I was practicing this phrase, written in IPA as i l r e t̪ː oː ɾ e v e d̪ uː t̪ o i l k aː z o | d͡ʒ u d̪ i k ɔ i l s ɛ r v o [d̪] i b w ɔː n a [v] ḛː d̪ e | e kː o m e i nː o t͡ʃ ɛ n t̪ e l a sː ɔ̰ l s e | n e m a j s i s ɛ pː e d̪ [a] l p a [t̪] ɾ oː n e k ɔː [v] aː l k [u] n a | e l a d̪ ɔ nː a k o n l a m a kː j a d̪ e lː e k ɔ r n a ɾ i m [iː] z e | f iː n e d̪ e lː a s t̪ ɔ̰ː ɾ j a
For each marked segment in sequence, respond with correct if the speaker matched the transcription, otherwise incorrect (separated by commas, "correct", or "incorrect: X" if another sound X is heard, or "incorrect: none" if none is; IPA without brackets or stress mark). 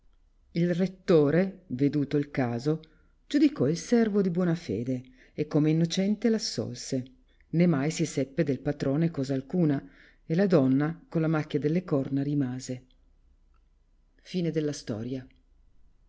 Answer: correct, incorrect: f, incorrect: e, correct, incorrect: z, incorrect: uː, incorrect: aː